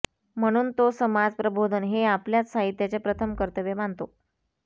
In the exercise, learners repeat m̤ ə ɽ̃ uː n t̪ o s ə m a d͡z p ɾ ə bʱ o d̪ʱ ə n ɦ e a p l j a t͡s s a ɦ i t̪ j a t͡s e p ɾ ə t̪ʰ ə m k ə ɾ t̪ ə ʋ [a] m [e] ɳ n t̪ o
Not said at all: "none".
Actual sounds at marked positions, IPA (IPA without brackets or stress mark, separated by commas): e, a